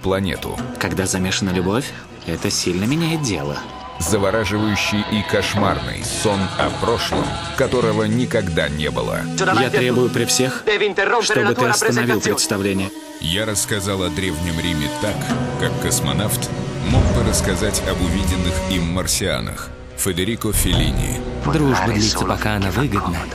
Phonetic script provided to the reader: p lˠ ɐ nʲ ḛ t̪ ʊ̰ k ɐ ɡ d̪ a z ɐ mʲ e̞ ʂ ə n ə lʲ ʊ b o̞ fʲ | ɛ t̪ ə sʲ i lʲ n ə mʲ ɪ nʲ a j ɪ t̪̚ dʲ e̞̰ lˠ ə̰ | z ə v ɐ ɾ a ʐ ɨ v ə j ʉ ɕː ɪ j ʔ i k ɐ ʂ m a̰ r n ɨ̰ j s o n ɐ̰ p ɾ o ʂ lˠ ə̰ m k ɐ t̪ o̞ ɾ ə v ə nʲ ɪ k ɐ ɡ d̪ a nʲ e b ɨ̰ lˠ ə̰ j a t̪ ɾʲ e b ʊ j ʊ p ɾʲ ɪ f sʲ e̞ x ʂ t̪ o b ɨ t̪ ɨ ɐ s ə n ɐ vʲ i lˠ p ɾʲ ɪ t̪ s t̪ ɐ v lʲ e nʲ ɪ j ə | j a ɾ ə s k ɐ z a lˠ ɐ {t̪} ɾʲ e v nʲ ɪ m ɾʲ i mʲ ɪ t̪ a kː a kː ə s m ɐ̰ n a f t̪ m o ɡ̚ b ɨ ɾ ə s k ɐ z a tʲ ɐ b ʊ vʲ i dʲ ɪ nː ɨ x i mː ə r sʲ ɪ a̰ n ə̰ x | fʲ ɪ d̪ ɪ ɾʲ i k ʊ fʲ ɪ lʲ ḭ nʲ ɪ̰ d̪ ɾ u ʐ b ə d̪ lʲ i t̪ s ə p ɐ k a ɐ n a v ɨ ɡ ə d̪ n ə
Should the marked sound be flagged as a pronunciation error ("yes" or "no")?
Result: yes